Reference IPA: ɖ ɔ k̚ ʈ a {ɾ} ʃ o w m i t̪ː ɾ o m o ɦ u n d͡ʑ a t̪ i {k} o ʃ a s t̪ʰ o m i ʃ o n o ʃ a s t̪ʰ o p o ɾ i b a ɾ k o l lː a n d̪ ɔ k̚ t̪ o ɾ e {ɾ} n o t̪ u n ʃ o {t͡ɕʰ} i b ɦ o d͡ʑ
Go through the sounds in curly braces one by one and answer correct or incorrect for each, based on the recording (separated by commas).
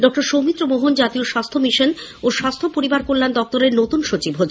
correct, incorrect, correct, incorrect